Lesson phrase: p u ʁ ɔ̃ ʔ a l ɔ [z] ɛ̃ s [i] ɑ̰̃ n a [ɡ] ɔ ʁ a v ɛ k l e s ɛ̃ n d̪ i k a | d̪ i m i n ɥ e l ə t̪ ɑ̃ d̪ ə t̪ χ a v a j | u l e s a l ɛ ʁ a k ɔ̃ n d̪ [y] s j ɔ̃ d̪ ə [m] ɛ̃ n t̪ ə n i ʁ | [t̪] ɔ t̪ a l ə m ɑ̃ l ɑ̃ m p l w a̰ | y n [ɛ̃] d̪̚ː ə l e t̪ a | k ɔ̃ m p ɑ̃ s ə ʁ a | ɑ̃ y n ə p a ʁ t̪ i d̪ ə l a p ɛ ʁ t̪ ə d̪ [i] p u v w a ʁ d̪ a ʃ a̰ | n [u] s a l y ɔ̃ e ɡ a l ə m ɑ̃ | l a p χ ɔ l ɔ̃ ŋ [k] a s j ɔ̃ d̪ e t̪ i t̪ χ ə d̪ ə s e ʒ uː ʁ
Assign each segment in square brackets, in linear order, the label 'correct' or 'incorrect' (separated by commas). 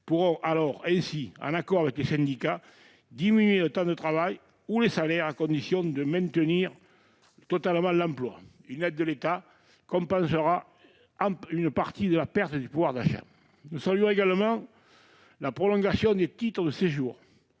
incorrect, correct, incorrect, incorrect, correct, correct, incorrect, incorrect, correct, incorrect